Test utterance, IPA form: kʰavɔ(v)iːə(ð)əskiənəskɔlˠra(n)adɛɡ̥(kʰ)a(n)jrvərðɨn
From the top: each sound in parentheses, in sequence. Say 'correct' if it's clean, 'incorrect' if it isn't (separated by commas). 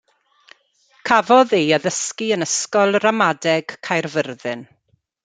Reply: incorrect, correct, incorrect, correct, incorrect